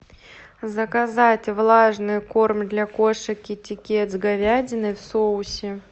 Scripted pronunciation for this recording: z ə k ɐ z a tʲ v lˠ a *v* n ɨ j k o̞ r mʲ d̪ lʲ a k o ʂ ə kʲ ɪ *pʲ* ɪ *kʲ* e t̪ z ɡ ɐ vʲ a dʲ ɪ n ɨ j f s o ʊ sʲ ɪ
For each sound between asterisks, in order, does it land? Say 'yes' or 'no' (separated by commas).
no, no, yes